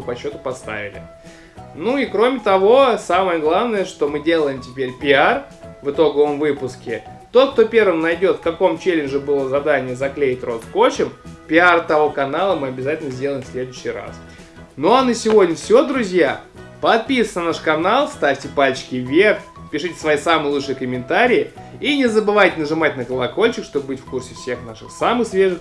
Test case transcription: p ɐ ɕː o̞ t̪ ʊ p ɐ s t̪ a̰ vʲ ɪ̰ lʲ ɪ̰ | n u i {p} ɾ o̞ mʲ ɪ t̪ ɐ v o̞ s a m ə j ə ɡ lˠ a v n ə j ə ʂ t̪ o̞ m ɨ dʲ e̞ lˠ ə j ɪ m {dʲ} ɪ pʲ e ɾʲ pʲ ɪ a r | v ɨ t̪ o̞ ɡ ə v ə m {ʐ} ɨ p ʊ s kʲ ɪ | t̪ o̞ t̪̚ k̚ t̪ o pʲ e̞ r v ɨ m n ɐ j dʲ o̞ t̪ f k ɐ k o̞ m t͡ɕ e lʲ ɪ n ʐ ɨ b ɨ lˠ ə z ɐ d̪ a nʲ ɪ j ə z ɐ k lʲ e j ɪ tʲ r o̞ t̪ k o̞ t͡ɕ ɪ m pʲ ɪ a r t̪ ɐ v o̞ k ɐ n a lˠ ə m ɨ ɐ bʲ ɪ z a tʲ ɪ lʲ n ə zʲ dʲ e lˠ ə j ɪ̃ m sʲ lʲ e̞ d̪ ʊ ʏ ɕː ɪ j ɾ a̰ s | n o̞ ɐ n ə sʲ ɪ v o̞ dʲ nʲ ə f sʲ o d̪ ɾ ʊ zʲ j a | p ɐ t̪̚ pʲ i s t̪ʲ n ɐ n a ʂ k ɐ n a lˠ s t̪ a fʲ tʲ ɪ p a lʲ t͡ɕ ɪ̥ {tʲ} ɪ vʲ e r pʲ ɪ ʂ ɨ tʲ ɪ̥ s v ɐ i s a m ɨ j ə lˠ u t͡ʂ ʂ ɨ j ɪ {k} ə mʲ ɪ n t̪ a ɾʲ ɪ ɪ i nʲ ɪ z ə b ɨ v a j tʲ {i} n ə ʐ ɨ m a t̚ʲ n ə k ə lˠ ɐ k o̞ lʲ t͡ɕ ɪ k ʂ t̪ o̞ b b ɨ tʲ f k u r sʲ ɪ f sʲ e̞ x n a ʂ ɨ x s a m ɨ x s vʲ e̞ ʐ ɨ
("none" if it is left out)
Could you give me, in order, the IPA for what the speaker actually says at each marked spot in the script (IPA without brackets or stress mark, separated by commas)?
k, tʲ, v, kʲ, k, ɪ